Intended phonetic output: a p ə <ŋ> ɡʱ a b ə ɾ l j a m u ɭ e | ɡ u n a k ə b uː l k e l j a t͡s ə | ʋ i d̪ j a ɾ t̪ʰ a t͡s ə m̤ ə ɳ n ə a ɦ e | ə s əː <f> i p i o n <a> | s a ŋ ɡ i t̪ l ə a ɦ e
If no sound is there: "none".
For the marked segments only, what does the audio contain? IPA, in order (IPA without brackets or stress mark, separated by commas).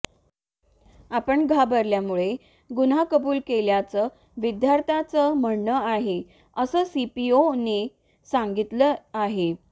ɳ, s, e